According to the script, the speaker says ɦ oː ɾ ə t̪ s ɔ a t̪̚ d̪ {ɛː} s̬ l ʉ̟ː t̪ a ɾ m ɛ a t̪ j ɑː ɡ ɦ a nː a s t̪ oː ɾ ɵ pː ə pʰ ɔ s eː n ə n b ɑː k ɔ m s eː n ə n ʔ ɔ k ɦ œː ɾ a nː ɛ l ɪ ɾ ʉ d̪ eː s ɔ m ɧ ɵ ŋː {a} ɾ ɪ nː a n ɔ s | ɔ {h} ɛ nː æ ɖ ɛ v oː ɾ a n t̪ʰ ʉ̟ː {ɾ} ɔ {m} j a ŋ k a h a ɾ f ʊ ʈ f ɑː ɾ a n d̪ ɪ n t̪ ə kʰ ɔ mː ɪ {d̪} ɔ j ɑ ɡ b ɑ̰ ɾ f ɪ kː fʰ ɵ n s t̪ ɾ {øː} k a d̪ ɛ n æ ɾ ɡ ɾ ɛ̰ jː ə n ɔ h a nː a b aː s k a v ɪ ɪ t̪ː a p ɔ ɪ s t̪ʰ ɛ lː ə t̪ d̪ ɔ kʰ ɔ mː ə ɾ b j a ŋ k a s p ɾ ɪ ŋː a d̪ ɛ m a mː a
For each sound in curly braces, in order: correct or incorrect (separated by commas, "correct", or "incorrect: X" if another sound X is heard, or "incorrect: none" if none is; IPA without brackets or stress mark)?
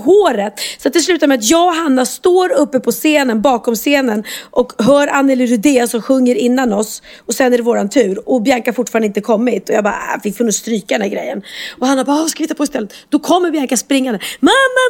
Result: incorrect: ɛ, incorrect: ə, incorrect: s, correct, incorrect: b, incorrect: t̪, incorrect: yː